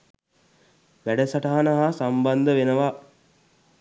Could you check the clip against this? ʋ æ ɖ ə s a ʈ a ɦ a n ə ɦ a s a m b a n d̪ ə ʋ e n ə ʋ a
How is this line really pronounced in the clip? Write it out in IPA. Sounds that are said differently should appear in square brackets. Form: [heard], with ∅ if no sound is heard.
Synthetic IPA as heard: ʋ æ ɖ ə s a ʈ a ɦ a n ə ɦ a s a m b a n d̪ ə ʋ e n ə ʋ a